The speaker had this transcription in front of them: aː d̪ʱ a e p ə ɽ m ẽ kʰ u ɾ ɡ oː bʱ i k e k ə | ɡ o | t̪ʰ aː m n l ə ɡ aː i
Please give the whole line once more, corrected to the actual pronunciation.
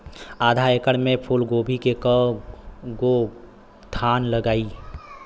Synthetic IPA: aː d̪ʱ a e k ə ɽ m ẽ pʰ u l ɡ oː bʱ i k e k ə | ɡ o | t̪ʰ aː n l ə ɡ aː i